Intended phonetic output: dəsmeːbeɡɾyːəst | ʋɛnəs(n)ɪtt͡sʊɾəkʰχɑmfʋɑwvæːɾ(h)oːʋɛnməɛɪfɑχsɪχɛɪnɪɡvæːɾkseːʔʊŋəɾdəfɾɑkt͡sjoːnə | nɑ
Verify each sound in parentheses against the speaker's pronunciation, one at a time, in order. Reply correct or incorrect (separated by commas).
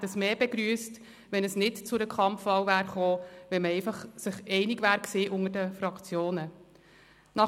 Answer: correct, incorrect